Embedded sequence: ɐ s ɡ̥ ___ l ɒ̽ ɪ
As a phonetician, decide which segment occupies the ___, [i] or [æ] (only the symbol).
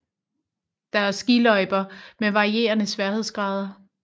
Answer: i